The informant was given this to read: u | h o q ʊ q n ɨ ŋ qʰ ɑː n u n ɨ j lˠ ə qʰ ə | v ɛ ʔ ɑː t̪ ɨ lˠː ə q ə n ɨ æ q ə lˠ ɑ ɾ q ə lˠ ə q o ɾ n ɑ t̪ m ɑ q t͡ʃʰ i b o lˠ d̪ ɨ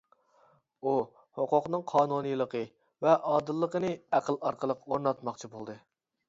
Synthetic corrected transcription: u | h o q ʊ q n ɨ ŋ qʰ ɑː n u n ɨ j lˠ ə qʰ ə | v ɛ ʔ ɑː d̪ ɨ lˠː ə q ə n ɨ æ q ə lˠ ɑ ɾ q ə lˠ ə q o ɾ n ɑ t̪ m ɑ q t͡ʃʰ i b o lˠ d̪ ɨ

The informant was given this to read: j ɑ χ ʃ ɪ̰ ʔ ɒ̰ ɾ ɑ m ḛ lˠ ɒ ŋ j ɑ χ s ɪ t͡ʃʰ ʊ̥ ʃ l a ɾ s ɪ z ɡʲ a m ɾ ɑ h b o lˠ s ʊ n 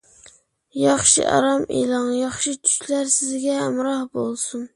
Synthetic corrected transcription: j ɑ χ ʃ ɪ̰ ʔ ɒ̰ ɾ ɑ m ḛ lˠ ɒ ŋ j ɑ χ ʃ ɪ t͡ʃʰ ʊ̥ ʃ l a ɾ s ɪ z ɡʲ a m ɾ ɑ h b o lˠ s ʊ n

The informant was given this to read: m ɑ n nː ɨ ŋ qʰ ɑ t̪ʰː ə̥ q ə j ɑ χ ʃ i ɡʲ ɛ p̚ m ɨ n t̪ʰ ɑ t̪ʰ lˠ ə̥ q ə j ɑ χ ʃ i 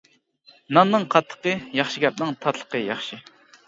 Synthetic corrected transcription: n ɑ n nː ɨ ŋ qʰ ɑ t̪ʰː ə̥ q ə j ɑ χ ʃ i ɡʲ ɛ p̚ n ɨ ŋ t̪ʰ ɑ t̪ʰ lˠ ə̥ q ə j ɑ χ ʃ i

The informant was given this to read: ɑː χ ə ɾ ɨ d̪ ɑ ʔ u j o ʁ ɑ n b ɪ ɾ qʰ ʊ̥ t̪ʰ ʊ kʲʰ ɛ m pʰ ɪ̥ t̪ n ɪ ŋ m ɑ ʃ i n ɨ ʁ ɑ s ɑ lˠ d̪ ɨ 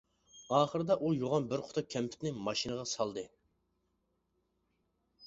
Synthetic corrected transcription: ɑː χ ə ɾ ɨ d̪ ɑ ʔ u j o ʁ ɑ n b ɪ ɾ qʰ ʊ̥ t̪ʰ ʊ kʲʰ ɛ m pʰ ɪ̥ t̪ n ɪ ŋ m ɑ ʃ i n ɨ ʁ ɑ s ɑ lˠ d̪ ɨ

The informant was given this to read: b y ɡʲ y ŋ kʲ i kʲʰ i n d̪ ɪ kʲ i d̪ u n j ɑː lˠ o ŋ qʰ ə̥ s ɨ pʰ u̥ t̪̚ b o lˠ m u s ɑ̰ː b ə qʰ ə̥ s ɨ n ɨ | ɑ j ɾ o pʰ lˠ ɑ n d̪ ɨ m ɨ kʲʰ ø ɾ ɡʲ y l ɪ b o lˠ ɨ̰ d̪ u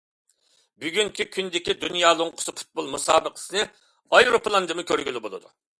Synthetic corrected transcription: b y ɡʲ y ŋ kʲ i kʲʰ y n d̪ ɪ kʲ i d̪ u n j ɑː lˠ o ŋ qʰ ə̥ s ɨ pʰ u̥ t̪̚ b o lˠ m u s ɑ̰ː b ə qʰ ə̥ s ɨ n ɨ | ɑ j ɾ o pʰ lˠ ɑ n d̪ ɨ m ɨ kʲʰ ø ɾ ɡʲ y l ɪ b o lˠ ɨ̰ d̪ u

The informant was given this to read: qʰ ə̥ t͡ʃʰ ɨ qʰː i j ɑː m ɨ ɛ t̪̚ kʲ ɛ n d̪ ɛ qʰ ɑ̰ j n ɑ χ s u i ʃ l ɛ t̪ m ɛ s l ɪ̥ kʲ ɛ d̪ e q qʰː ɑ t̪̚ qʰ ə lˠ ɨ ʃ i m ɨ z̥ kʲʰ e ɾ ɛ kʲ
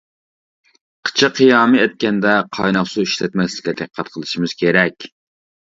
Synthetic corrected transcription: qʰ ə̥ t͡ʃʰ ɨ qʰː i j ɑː m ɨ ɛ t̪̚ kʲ ɛ n d̪ ɛ qʰ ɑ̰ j n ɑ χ s u i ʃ l ɛ t̪ m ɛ s l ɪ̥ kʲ ɛ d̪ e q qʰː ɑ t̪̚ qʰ ə lˠ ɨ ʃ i m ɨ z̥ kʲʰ e ɾ ɛ kʲ

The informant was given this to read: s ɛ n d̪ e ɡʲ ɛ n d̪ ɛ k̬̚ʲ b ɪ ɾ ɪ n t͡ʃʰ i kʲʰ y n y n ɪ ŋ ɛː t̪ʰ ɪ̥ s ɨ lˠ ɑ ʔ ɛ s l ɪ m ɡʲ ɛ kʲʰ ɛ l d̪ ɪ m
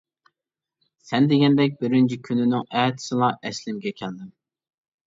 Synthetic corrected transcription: s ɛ n d̪ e ɡʲ ɛ n d̪ ɛ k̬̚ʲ b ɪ ɾ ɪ n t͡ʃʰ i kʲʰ y n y n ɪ ŋ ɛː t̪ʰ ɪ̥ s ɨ lˠ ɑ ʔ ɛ s l ɪ m ɡʲ ɛ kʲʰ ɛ l d̪ ɪ m

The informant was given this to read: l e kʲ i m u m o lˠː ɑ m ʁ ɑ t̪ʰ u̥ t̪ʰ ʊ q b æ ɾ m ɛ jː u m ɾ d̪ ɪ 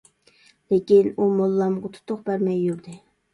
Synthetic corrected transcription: l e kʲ i n u m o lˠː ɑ m ʁ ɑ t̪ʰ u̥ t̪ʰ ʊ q b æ ɾ m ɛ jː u ɾ d̪ ɪ

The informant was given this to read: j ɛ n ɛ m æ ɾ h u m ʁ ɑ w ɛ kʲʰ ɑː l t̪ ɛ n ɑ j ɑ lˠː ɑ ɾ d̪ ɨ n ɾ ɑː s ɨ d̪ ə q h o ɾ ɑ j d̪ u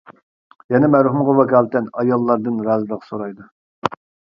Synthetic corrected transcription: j ɛ n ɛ m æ ɾ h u m ʁ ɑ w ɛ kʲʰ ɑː l t̪ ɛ n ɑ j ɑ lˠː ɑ ɾ d̪ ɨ n ɾ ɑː z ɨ d̪ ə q s o ɾ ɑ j d̪ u

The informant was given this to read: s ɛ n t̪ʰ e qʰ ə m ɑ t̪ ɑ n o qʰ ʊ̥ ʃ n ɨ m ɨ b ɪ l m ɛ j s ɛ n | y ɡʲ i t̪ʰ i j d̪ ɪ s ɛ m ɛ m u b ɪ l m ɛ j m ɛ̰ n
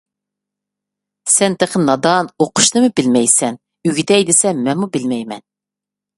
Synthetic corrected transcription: s ɛ n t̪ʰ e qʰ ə n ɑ d̪ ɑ n o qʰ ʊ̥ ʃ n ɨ m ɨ b ɪ l m ɛ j s ɛ n | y ɡʲ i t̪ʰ ɛ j d̪ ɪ s ɛ m ɛ m u b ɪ l m ɛ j m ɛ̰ n

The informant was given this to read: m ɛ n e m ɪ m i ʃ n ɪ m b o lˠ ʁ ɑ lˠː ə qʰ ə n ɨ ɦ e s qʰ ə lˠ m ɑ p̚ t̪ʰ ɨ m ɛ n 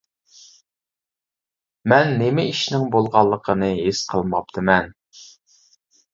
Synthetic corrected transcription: m ɛ nː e m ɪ i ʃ n ɪ ŋ b o lˠ ʁ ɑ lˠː ə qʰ ə n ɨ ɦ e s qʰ ə lˠ m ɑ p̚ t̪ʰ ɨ m ɛ n

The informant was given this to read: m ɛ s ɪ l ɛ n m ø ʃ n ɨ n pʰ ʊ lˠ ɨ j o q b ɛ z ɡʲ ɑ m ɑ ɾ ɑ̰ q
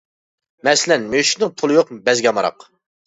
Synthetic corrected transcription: m ɛ s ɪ l ɛ n m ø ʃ n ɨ ŋ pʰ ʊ lˠ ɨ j o q b ɛ z ɡʲ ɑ m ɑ ɾ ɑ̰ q

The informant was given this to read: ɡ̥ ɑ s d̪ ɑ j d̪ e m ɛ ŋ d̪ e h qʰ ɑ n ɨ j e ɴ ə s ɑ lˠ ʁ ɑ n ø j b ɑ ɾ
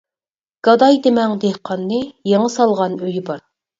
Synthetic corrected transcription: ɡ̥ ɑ d̪ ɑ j d̪ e m ɛ ŋ d̪ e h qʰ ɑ nː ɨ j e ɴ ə s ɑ lˠ ʁ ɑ n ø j b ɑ ɾ

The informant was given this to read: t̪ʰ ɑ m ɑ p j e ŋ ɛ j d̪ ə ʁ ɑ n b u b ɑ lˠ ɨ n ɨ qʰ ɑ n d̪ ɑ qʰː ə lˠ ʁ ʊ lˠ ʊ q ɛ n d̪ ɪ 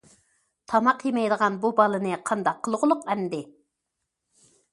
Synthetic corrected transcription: t̪ʰ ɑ m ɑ q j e m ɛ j d̪ ə ʁ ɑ n b u b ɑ lˠ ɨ n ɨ qʰ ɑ n d̪ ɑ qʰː ə lˠ ʁ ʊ lˠ ʊ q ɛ n d̪ ɪ

